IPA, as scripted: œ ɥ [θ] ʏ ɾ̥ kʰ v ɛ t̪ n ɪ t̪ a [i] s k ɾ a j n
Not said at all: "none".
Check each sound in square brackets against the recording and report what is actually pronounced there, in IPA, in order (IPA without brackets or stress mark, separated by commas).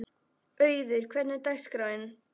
ð, j